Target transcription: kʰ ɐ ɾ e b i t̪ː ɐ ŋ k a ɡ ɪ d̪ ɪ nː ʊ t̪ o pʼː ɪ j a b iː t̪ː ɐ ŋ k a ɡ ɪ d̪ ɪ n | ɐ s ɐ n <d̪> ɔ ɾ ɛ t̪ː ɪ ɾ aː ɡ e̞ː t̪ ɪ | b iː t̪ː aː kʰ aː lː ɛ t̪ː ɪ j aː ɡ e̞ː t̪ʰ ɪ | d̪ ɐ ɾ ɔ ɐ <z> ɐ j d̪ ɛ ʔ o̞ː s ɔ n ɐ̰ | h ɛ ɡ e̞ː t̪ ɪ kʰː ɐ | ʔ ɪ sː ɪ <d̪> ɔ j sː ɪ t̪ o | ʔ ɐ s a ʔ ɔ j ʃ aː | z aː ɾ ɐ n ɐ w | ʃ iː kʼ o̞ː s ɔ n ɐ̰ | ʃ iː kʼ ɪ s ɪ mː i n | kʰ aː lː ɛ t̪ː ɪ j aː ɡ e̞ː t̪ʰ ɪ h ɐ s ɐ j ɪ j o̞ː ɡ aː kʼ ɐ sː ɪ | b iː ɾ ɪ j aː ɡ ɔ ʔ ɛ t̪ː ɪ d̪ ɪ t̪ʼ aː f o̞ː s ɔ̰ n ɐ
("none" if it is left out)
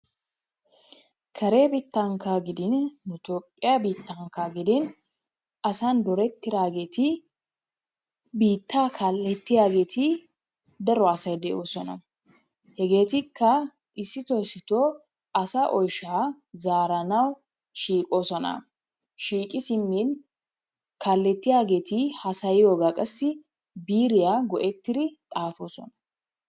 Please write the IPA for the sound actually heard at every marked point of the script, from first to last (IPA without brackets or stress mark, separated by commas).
d̪, s, t̪